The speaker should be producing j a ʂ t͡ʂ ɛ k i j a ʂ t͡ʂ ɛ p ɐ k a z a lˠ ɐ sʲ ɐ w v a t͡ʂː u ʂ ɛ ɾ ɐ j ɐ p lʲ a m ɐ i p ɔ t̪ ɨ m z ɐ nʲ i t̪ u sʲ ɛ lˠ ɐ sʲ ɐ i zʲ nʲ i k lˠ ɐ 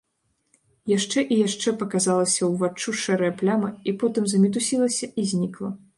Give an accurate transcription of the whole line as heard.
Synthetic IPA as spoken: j a ʂ t͡ʂ ɛ ʔ i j a ʂ t͡ʂ ɛ p ɐ k a z a lˠ ɐ sʲ ɐ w v a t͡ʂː u ʂ ɛ ɾ ɐ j ɐ p lʲ a m ɐ i p ɔ t̪ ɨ m z ɐ mʲ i t̪ u sʲ i lˠ ɐ sʲ ɐ i zʲ nʲ i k lˠ ɐ